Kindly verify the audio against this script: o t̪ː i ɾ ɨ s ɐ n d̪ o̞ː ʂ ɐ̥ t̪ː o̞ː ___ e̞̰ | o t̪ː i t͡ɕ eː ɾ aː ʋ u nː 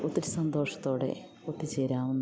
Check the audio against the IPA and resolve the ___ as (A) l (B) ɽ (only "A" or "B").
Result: B